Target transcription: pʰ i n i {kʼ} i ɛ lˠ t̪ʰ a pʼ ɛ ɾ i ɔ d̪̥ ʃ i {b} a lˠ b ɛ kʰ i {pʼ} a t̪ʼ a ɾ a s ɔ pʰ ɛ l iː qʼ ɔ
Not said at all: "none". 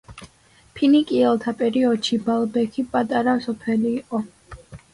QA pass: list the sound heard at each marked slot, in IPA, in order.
kʼ, b, pʼ

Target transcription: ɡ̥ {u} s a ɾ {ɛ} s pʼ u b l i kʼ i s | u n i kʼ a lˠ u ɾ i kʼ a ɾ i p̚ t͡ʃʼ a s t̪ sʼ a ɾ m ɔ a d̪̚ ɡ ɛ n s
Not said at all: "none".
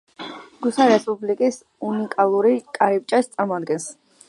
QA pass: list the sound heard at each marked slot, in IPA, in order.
u, ɛ

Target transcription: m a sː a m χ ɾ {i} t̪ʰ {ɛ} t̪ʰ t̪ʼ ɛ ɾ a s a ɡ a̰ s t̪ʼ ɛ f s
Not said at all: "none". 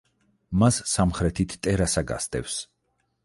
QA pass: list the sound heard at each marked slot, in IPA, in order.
ɛ, i

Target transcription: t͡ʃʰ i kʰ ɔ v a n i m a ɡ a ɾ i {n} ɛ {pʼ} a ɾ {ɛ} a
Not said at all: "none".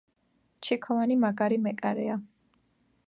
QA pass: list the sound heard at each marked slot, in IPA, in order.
m, kʼ, ɛ

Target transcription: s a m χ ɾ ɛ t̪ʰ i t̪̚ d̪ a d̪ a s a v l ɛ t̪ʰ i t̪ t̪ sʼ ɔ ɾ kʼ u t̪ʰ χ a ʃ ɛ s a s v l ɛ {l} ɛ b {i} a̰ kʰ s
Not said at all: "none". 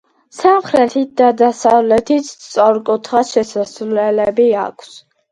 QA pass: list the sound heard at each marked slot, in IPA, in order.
l, i

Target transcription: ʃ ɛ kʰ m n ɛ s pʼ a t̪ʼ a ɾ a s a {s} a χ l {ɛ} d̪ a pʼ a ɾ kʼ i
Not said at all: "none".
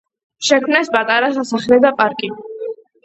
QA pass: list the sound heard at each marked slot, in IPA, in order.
s, ɛ

